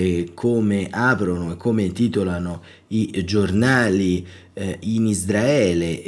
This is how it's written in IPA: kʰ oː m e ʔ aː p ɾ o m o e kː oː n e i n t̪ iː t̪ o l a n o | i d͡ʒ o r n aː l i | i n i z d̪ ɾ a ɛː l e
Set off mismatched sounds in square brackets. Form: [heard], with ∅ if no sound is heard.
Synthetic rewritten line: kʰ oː m e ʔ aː p ɾ o [n] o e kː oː [m] e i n t̪ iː t̪ o l a n o | i d͡ʒ o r n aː l i | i n i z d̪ ɾ a ɛː l e